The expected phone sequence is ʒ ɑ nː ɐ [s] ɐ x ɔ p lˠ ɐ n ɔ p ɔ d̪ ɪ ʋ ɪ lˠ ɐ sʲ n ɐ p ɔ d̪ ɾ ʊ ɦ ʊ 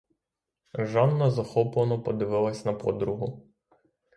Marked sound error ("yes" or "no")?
yes